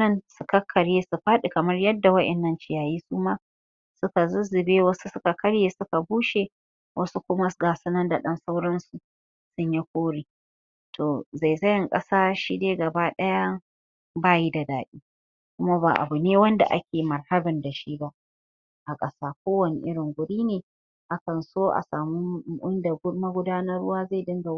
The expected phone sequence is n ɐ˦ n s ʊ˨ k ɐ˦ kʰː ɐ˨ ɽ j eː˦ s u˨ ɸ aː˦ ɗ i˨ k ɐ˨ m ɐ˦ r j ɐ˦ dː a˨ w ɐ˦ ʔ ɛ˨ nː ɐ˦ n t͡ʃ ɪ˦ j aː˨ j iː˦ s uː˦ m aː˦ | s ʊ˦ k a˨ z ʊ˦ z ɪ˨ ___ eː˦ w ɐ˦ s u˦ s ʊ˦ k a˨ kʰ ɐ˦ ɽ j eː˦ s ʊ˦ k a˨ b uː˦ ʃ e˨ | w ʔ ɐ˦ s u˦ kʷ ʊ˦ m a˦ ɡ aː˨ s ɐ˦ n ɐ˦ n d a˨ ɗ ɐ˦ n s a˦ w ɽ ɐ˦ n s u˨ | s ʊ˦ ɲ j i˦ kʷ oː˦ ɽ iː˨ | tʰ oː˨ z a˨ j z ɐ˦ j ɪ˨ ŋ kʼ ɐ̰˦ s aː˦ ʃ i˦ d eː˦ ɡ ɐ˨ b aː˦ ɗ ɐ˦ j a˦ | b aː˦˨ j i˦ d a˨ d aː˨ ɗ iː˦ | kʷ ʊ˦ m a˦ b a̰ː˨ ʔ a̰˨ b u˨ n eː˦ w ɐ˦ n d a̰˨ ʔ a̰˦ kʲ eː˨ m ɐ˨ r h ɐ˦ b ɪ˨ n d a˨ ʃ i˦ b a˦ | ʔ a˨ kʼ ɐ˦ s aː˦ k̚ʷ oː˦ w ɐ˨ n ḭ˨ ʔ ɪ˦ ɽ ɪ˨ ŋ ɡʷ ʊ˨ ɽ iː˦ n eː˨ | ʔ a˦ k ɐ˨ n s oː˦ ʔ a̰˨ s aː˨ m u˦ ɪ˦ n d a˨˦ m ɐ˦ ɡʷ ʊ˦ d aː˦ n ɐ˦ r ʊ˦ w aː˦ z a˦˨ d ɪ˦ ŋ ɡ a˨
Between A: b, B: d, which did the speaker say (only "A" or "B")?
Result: A